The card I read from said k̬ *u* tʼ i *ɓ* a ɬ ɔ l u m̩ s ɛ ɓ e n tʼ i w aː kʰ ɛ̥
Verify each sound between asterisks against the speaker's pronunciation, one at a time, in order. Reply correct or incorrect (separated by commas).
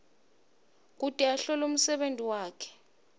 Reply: correct, incorrect